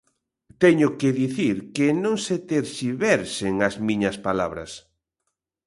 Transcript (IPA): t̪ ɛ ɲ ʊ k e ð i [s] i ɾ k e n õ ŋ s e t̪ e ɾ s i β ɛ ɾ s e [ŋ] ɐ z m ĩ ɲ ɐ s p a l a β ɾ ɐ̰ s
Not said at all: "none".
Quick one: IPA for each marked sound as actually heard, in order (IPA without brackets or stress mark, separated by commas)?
θ, ŋ